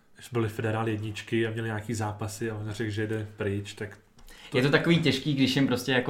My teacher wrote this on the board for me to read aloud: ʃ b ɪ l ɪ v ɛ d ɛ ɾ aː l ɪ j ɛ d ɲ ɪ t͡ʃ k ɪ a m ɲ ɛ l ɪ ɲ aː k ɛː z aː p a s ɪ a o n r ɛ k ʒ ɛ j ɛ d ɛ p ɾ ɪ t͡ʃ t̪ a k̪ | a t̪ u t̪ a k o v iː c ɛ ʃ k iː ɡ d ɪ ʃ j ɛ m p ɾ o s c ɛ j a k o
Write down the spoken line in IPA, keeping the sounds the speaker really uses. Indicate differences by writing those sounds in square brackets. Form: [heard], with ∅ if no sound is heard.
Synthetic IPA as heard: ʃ b ɪ l ɪ [f] ɛ d ɛ ɾ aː l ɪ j ɛ d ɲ ɪ t͡ʃ k ɪ a m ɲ ɛ l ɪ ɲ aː k [iː] z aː p a s ɪ a o n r ɛ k ʒ ɛ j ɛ d ɛ p ɾ ɪ t͡ʃ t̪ a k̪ | [ɛ] t̪ [o] t̪ a k o v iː c ɛ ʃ k iː ɡ d ɪ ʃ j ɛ m p ɾ o s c ɛ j a k o